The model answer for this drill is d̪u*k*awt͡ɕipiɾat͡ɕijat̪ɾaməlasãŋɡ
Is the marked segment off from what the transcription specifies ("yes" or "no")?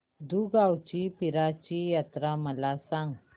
yes